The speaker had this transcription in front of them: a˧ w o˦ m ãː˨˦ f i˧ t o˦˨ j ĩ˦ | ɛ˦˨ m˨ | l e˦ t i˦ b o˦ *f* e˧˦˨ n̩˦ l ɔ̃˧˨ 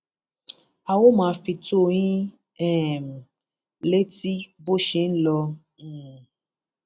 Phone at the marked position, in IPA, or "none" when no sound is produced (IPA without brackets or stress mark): ʃ